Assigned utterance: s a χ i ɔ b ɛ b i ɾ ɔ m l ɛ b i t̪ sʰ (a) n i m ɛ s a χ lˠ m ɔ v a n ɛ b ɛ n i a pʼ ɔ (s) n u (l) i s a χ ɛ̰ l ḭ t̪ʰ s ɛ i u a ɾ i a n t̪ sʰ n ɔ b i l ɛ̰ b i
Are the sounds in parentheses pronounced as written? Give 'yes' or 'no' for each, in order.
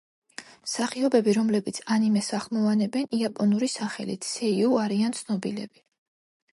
yes, no, no

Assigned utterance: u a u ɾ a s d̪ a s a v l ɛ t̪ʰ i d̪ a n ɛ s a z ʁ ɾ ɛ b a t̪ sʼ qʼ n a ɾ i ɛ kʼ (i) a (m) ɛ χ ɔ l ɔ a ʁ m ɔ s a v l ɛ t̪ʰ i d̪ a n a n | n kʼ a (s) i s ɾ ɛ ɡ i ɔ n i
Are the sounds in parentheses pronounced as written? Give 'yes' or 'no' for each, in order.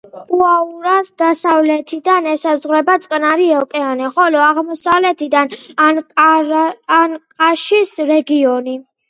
no, no, no

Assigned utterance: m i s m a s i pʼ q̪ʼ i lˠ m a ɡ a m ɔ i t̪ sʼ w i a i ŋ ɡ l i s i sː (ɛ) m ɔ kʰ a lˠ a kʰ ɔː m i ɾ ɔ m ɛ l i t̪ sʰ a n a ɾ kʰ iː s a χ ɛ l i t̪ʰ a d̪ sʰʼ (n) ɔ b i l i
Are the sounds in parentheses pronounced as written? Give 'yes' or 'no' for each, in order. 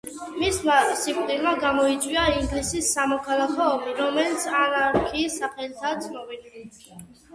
no, yes

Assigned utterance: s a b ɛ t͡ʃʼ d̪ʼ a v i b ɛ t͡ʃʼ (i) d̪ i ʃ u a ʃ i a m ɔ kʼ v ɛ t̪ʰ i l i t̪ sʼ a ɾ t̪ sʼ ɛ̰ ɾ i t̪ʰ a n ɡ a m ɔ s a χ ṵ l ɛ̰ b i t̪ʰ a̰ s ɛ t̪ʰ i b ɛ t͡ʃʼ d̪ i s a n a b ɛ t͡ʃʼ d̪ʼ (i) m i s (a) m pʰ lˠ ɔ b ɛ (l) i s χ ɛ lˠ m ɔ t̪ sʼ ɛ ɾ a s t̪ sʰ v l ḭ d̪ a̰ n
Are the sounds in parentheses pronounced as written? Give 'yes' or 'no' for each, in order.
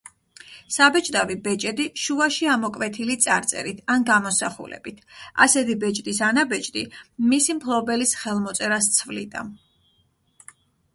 no, yes, no, yes

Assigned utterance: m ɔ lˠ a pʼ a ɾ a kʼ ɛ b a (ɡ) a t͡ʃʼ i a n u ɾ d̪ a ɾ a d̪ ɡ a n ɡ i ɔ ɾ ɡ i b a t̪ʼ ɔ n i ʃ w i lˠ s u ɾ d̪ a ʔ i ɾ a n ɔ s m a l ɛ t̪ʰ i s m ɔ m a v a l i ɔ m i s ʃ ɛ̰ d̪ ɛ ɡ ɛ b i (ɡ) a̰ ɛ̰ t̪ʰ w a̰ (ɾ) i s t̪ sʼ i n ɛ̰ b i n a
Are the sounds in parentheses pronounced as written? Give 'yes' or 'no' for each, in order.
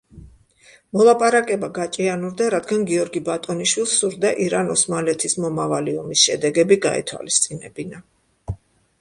yes, yes, no

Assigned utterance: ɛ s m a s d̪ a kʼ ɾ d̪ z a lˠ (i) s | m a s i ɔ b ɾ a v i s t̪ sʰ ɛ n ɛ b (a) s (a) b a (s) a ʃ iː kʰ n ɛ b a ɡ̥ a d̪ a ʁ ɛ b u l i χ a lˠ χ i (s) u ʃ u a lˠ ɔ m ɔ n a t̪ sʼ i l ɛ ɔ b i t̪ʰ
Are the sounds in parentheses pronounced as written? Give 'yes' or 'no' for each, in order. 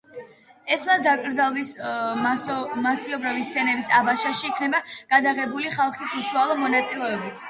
yes, no, yes, no, yes

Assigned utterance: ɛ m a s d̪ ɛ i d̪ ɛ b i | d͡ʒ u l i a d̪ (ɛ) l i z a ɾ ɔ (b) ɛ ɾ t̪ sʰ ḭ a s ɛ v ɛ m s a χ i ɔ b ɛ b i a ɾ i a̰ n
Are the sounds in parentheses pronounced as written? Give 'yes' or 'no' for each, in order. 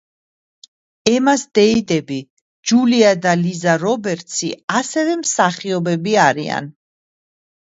no, yes

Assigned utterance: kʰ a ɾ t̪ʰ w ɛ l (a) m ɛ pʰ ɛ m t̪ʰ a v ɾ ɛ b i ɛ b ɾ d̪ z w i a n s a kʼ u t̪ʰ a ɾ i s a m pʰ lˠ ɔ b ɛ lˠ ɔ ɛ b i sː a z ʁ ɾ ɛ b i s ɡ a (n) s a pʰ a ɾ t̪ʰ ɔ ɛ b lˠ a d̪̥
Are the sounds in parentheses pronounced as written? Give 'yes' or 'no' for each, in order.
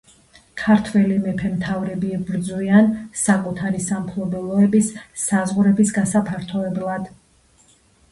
no, no

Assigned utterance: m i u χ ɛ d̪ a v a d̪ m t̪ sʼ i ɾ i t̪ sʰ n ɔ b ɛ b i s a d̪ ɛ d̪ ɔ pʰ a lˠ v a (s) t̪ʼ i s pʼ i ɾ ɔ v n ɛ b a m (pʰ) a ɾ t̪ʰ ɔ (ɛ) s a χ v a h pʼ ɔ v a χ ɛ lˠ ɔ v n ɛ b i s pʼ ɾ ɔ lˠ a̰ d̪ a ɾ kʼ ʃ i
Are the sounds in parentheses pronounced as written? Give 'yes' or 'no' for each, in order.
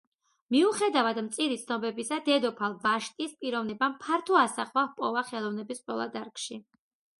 no, yes, no

